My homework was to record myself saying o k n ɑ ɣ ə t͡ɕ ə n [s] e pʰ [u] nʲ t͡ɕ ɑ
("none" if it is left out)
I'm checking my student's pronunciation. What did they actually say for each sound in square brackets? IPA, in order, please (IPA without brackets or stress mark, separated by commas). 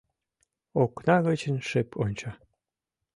ʃ, o